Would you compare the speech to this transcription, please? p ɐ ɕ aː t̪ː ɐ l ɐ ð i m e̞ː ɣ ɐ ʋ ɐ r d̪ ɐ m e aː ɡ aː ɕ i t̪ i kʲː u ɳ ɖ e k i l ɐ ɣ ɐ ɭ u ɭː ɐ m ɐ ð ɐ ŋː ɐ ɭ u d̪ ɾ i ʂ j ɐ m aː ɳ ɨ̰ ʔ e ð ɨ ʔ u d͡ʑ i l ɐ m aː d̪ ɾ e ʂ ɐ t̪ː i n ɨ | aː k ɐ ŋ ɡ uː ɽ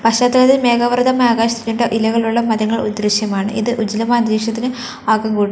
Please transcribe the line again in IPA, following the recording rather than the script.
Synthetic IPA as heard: p ɐ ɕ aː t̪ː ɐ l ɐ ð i m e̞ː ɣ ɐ ʋ ɐ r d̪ ɐ m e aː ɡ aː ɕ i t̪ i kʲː u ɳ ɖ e ʔ i l ɐ ɣ ɐ ɭ u ɭː ɐ m ɐ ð ɐ ŋː ɐ ɭ u d̪ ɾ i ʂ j ɐ m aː ɳ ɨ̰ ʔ i ð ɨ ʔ u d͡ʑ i l ɐ m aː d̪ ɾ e ʂ ɐ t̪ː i n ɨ | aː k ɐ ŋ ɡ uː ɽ